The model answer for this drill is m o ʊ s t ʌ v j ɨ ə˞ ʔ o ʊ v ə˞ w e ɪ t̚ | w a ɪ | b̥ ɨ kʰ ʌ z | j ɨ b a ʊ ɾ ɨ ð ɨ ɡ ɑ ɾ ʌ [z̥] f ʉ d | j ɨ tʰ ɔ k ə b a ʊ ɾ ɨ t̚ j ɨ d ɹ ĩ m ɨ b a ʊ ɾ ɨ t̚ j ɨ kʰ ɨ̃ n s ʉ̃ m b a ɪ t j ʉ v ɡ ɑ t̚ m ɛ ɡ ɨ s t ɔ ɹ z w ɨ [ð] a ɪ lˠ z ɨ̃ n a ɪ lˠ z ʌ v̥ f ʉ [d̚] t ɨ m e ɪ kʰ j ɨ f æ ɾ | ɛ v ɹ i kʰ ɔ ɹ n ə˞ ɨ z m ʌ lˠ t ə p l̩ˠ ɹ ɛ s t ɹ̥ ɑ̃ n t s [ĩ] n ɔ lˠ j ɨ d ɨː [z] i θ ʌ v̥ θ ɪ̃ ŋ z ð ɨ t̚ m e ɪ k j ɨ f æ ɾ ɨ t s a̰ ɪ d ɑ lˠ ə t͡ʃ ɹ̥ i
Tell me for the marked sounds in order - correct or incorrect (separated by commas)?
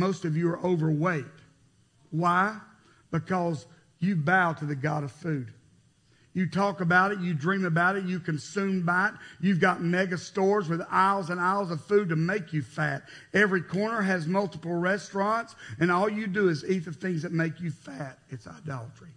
incorrect, correct, correct, incorrect, correct